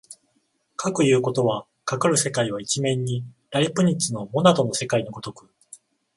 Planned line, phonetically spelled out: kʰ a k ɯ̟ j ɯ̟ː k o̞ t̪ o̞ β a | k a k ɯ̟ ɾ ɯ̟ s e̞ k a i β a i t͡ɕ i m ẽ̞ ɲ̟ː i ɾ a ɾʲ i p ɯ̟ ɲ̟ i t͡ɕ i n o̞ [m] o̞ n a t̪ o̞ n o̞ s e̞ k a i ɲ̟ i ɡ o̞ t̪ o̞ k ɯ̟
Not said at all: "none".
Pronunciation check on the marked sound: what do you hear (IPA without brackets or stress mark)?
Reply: m